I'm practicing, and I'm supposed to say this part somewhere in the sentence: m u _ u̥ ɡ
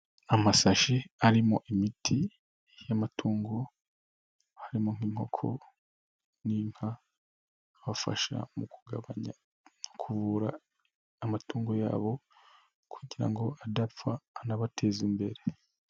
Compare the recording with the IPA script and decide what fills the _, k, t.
k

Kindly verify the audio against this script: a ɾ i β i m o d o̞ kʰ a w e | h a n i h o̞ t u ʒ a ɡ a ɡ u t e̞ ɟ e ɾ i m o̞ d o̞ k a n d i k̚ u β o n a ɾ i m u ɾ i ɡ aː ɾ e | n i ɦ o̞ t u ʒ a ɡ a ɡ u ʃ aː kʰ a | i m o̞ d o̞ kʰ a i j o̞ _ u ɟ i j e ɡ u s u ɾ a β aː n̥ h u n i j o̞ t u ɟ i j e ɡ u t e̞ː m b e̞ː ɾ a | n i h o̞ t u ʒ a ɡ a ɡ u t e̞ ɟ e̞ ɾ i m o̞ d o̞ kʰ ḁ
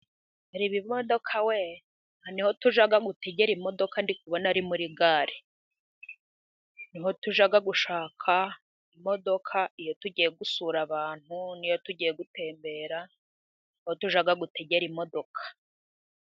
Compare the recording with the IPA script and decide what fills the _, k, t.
t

